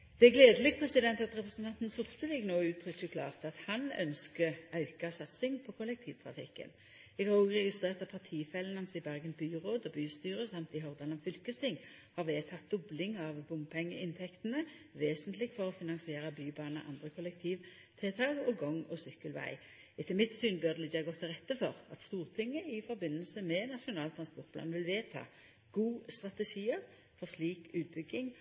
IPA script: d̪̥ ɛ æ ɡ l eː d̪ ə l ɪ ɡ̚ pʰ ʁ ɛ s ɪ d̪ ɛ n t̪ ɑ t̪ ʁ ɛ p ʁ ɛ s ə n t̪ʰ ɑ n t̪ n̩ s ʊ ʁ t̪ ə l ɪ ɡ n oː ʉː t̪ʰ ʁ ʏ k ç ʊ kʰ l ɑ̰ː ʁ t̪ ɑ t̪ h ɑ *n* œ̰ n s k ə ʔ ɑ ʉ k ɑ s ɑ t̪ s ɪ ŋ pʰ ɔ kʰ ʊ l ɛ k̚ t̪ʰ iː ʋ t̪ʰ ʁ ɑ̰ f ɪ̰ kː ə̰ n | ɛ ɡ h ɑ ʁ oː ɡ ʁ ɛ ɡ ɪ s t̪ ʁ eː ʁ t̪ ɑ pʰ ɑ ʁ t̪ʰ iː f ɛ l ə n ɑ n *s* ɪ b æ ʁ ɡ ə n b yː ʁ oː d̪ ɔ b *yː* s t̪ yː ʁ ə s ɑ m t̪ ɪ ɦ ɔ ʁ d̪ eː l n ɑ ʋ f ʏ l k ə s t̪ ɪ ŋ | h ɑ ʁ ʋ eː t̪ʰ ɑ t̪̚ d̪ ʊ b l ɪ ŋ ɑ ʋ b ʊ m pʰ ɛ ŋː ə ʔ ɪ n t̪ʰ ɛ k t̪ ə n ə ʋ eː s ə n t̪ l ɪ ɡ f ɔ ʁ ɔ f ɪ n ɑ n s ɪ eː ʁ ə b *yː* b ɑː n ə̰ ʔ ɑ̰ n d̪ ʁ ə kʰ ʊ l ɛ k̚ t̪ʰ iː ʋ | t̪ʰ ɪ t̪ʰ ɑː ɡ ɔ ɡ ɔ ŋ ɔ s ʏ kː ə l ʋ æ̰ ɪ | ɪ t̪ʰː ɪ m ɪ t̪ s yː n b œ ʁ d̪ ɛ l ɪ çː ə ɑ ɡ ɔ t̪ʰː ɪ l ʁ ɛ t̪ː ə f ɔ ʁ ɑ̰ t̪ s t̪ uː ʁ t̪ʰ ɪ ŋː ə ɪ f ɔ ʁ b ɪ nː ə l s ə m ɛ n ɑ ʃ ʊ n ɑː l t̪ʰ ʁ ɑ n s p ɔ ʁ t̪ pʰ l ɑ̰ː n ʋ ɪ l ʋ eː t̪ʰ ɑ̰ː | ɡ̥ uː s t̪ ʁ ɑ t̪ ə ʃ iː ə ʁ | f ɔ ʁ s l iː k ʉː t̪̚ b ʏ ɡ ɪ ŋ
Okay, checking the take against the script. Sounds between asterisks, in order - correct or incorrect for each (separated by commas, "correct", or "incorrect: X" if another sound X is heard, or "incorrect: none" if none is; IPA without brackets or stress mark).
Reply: correct, correct, correct, correct